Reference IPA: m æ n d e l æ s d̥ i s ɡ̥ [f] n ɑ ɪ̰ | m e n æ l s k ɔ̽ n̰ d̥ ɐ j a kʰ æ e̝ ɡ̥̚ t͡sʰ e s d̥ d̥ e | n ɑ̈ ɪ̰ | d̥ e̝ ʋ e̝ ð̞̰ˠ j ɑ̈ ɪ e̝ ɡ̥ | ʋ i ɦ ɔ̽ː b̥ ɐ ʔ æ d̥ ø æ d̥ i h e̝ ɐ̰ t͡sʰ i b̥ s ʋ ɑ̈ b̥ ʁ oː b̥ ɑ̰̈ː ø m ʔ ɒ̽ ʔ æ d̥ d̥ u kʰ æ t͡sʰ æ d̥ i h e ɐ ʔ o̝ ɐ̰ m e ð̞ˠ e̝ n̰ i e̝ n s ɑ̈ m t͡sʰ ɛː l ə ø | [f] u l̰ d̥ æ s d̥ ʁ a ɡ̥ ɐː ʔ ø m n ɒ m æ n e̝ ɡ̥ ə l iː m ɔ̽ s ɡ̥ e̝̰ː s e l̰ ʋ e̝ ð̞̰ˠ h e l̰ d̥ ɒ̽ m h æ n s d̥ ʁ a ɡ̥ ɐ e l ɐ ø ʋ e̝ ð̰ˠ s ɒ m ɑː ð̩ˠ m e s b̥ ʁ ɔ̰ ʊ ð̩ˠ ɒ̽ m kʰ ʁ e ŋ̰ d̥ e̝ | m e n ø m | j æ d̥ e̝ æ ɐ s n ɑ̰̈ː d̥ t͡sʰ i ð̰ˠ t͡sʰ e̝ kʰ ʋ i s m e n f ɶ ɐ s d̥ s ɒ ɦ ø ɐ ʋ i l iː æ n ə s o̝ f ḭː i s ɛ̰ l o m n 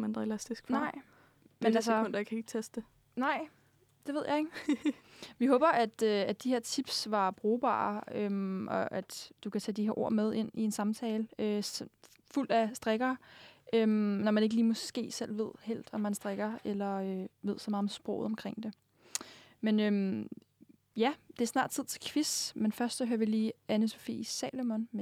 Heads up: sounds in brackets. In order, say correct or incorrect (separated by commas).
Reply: correct, correct